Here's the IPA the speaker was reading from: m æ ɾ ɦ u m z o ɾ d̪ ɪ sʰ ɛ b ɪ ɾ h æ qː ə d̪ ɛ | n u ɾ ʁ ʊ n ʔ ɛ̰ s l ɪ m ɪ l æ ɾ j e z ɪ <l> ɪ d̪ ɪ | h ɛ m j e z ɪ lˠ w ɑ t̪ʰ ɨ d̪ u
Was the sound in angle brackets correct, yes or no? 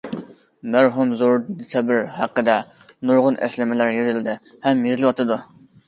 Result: yes